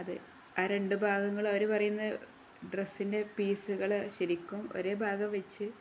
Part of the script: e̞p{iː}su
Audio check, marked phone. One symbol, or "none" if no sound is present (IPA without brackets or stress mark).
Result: iː